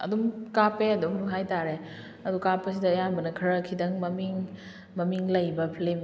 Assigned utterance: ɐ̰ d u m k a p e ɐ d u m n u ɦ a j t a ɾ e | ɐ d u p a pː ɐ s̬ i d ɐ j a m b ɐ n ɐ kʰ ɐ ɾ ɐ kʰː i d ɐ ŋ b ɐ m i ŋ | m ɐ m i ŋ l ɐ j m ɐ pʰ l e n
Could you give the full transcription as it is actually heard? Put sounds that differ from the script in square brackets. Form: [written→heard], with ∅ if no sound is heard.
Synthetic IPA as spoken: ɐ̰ d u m k a p e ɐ d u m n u ɦ a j t a ɾ e | ɐ d u [p→k] a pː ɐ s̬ i d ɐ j a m b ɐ n ɐ kʰ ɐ ɾ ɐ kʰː i d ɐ ŋ [b→m] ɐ m i ŋ | m ɐ m i ŋ l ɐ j [m→b] ɐ pʰ l e [n→m]